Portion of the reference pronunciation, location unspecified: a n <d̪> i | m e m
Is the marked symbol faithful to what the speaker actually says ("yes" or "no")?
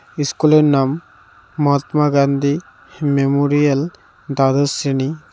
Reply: yes